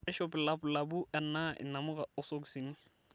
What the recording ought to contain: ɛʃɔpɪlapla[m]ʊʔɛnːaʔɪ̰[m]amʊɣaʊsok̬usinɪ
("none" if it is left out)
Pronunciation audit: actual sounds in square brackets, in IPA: b, n

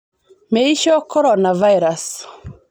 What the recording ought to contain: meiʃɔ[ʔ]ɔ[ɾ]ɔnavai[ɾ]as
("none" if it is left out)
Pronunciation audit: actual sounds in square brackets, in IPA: k, ɾ, ɾ

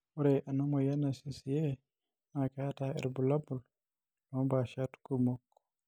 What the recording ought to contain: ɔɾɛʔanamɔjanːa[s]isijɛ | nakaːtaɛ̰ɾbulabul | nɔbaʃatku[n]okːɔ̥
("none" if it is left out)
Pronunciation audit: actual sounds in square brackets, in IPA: s, m

